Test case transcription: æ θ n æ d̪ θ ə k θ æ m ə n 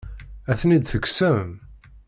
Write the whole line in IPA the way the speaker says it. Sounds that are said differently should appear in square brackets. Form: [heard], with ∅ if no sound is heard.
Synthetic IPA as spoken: æ θ n [i] d̪ θ ə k [s] æ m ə [m]